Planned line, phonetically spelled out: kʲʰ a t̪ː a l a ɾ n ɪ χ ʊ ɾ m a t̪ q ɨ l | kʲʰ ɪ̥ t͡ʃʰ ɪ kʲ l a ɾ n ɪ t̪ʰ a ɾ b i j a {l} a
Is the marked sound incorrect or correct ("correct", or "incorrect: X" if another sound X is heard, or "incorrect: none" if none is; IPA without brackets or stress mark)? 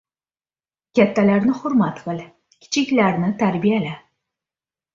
correct